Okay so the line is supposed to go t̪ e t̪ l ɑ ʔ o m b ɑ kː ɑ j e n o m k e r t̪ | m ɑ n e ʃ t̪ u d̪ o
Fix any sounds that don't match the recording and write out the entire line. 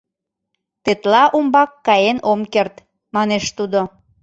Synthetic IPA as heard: t̪ e t̪ l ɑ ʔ u m b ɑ kː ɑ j e n o m k e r t̪ | m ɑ n e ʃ t̪ u d̪ o